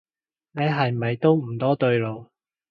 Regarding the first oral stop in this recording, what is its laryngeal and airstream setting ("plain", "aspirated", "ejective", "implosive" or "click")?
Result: plain